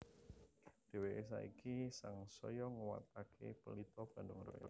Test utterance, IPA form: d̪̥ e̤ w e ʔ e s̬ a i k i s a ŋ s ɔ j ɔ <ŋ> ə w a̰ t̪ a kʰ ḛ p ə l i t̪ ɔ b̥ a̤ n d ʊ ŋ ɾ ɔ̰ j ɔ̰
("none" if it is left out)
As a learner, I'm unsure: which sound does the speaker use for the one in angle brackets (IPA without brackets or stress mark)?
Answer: ŋ